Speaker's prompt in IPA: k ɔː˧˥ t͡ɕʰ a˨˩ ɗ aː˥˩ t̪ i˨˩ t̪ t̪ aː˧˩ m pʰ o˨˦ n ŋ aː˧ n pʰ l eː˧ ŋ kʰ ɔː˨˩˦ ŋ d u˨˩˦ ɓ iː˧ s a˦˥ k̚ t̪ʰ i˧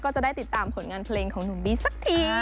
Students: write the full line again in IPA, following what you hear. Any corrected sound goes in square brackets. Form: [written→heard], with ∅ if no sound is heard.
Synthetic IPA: k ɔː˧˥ [t͡ɕʰ→t͡ɕ] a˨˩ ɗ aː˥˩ t̪ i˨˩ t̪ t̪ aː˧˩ m pʰ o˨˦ n ŋ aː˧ n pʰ l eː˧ ŋ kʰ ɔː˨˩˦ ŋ [d→n] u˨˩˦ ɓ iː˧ s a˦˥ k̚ t̪ʰ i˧